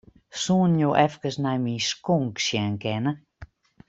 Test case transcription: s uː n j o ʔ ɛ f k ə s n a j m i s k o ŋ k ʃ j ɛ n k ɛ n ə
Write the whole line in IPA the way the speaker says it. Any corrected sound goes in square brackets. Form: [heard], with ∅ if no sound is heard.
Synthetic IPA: s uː n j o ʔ ɛ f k ə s n a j m i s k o ŋ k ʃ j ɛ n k ɛ n ə